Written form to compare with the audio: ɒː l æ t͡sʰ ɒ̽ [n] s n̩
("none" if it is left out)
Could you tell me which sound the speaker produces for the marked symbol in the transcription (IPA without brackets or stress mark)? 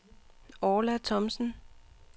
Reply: m